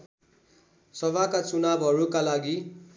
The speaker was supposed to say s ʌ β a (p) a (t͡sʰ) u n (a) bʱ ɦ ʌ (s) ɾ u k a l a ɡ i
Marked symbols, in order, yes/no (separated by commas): no, no, yes, no